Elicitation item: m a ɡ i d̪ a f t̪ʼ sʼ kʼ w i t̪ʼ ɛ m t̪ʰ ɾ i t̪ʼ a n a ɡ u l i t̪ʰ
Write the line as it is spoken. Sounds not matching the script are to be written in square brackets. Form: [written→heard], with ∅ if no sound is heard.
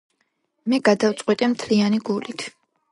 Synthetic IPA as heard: m [a→ɛ] ɡ [i→a] d̪ a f [t̪ʼ→t̪] sʼ [kʼ→qʼ] w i t̪ʼ ɛ m t̪ʰ [ɾ→l] i [t̪ʼ→∅] a n [a→i] ɡ u l i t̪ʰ